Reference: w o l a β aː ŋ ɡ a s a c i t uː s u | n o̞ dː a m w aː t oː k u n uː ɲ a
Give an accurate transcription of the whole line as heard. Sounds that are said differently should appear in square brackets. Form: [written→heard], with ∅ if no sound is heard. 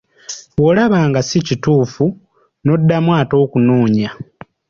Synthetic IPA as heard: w o l a β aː ŋ ɡ a s [a→i] c i t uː [s→f] u | n o̞ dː a m w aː t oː k u n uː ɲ a